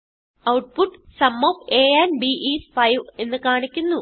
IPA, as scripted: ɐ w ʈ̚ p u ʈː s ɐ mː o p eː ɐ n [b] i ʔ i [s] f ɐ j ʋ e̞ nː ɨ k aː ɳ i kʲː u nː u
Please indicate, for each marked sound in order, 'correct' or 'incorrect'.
correct, correct

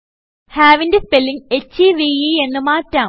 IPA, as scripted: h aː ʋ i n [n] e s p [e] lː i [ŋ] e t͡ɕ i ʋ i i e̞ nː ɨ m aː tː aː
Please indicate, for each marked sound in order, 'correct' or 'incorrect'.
incorrect, correct, correct

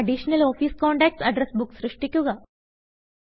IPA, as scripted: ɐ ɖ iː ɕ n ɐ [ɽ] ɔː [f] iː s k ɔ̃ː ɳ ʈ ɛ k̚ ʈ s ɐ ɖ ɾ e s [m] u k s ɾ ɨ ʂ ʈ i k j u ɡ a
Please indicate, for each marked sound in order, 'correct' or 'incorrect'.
incorrect, correct, incorrect

